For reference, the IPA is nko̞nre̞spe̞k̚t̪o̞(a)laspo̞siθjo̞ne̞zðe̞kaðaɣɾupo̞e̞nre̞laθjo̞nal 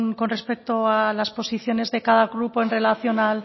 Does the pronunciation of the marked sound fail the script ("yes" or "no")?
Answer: no